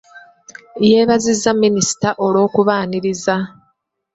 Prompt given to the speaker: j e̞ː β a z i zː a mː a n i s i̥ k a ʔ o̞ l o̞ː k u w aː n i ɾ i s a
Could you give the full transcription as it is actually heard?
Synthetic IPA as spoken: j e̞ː β a z i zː a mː i n i s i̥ t a ʔ o̞ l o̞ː k u β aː n i ɾ i z a